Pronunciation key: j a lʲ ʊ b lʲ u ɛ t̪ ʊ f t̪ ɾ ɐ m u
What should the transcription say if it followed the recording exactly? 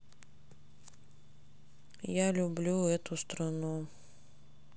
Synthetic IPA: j a lʲ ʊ b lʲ u ɛ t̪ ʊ s t̪ ɾ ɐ n u

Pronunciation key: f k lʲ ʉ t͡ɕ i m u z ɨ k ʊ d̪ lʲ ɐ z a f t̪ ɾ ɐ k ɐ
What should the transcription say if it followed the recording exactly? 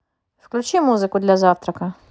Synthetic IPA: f k lʲ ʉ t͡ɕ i m u z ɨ k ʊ d̪ lʲ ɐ z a f t̪ ɾ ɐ k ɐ

